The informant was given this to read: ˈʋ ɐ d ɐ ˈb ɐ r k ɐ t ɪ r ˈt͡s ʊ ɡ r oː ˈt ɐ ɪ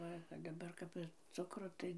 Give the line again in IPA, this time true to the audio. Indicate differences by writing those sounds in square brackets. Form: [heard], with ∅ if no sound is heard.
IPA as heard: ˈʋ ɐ d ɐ ˈb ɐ r k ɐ [p] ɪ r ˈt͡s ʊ [k] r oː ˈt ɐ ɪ